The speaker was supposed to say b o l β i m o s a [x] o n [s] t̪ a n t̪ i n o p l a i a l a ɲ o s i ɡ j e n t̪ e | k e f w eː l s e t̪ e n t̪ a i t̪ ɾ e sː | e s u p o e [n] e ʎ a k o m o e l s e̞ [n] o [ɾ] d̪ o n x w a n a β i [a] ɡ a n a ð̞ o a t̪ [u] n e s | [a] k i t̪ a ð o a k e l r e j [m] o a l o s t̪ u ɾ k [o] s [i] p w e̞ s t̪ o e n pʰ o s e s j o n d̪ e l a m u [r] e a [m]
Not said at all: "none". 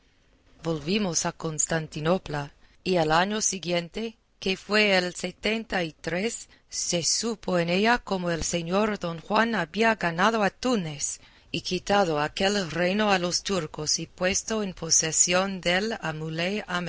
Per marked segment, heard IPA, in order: k, s, n, ɲ, ɾ, a, u, i, n, o, i, l, m

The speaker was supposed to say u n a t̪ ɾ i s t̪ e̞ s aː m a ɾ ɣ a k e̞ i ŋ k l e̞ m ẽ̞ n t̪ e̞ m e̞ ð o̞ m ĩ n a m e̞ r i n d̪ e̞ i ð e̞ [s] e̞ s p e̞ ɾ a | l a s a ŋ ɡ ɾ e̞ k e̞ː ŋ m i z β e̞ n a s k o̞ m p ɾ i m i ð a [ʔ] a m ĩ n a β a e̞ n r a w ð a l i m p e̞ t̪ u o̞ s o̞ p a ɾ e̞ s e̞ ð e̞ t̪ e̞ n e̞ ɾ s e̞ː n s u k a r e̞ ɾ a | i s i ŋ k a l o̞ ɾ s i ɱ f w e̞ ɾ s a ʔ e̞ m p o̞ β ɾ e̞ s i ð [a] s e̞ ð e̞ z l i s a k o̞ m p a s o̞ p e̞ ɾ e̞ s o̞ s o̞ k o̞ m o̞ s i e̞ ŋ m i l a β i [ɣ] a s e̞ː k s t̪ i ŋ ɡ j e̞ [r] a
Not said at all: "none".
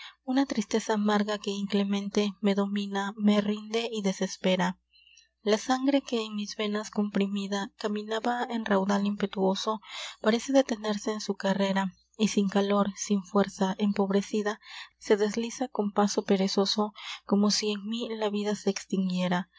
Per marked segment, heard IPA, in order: s, k, a, ð, ɾ

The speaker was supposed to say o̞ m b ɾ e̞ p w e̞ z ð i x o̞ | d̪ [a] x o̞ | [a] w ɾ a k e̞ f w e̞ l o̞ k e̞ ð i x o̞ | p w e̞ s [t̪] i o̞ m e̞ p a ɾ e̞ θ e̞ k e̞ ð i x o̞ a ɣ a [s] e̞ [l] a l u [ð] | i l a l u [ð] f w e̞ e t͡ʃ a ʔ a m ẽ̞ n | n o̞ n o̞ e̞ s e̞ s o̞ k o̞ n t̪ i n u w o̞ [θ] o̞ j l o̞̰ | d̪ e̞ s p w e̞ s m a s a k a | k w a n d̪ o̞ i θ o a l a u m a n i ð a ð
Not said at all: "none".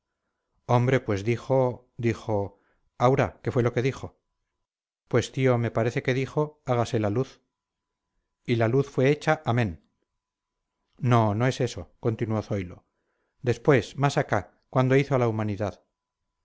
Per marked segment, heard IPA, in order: i, a, t̪, s, l, θ, θ, θ

